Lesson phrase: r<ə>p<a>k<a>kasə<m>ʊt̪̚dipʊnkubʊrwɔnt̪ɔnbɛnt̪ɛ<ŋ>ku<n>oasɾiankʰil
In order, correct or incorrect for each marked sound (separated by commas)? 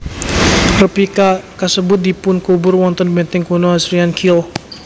correct, incorrect, correct, incorrect, correct, correct